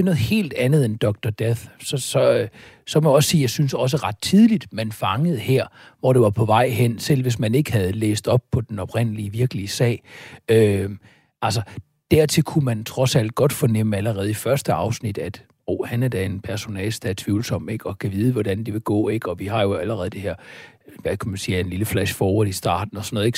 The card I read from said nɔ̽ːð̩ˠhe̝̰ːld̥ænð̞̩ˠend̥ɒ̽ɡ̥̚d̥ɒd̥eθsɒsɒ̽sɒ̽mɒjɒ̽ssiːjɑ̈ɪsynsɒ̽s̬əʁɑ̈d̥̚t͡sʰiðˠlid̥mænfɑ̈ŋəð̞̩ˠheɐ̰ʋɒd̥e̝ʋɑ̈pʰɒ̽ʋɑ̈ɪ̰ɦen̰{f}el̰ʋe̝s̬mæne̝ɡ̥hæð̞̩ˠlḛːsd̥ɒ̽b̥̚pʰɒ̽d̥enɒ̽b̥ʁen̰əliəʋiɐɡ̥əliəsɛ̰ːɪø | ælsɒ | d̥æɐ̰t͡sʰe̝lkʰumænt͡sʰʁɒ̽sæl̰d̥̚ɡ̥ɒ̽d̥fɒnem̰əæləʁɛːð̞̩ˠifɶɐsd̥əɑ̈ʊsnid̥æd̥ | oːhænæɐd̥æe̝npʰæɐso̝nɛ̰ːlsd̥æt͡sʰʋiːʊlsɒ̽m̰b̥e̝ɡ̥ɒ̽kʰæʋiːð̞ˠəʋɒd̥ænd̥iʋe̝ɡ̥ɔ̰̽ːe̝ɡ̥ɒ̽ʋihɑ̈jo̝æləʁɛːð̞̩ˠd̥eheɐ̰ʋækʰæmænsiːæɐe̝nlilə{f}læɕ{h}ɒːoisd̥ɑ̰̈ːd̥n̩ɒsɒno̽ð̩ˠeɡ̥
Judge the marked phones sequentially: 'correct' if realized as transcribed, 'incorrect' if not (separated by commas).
incorrect, correct, incorrect